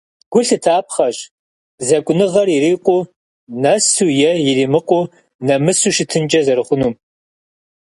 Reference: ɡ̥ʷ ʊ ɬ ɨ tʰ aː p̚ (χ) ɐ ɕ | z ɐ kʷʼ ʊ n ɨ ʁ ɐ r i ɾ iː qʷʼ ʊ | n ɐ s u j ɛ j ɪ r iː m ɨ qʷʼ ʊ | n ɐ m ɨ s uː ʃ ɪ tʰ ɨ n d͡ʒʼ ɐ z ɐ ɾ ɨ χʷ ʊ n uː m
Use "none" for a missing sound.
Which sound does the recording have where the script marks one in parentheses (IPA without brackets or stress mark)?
χ